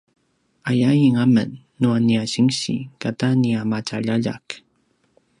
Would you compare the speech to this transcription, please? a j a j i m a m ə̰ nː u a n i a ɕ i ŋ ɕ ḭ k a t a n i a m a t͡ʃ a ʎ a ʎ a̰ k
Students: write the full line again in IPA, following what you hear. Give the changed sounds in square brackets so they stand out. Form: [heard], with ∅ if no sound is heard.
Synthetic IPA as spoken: a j a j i [ŋ] a m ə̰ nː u a n i a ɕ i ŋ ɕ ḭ k a t a n i a m a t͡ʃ a ʎ a ʎ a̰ k